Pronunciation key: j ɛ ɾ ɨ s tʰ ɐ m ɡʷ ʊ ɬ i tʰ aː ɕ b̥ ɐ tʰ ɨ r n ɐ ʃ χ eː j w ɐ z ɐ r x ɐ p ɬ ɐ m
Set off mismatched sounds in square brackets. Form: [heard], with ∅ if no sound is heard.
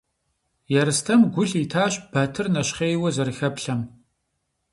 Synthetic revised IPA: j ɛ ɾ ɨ s tʰ ɐ m ɡʷ ʊ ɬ i tʰ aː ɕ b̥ ɐ tʰ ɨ r n ɐ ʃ χ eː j w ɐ z ɐ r x ɐ p ɬ ɐ m